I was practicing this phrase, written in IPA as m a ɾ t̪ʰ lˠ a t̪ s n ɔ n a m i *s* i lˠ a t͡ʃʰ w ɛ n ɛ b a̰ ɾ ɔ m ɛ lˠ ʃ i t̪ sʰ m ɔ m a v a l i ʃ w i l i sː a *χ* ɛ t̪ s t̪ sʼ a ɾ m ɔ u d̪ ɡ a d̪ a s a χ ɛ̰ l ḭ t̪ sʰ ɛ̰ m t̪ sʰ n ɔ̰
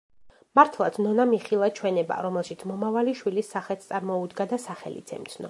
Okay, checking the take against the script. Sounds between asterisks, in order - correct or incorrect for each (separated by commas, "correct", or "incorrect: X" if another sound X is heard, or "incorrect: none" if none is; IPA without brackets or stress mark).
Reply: incorrect: χ, correct